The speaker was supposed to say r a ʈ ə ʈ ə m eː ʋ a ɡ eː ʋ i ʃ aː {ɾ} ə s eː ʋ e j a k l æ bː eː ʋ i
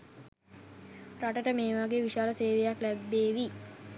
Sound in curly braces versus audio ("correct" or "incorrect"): incorrect